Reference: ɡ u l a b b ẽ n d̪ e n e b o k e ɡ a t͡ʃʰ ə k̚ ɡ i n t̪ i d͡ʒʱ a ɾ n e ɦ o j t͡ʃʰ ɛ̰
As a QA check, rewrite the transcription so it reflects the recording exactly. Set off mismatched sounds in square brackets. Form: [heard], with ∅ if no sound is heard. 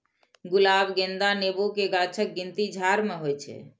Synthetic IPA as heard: ɡ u l a b [ɡ] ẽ n d̪ [a] n e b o k e ɡ a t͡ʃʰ ə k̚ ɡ i n t̪ i d͡ʒʱ a ɾ [m] e ɦ o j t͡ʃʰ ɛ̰